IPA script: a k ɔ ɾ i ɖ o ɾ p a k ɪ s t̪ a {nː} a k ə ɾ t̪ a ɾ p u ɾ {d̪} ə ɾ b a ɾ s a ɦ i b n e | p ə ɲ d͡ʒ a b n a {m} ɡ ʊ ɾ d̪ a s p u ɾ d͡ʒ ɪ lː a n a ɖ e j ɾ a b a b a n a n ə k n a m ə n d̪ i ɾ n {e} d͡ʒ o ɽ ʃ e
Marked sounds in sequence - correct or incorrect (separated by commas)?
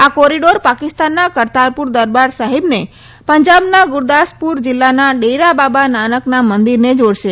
correct, correct, incorrect, correct